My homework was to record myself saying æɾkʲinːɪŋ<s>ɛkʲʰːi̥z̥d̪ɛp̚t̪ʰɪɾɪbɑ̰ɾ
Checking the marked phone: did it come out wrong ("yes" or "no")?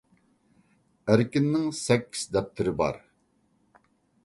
no